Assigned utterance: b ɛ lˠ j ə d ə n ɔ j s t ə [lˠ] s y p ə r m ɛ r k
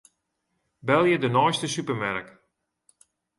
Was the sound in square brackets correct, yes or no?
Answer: no